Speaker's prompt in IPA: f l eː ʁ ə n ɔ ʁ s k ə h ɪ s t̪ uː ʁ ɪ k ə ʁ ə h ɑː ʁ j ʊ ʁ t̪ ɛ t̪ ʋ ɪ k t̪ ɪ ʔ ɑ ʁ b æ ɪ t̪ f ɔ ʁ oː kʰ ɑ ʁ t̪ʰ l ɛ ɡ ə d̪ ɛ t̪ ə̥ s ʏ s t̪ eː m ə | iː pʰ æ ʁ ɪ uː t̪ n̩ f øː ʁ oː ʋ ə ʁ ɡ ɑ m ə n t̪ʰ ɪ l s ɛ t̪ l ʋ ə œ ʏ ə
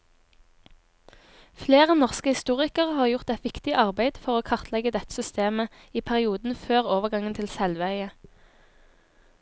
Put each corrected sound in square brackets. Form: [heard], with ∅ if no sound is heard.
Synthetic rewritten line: f l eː ʁ ə n ɔ ʁ s k ə h ɪ s t̪ uː ʁ ɪ k ə ʁ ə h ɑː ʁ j ʊ ʁ t̪ ɛ t̪ ʋ ɪ k t̪ ɪ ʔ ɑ ʁ b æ ɪ [d̪] f ɔ ʁ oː kʰ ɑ ʁ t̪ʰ l ɛ ɡ ə d̪ ɛ t̪ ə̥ s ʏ s t̪ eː m ə | iː pʰ æ ʁ ɪ uː [d̪] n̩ f øː ʁ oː ʋ ə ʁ ɡ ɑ [ŋ] ə n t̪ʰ ɪ l s ɛ [∅] l ʋ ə œ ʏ ə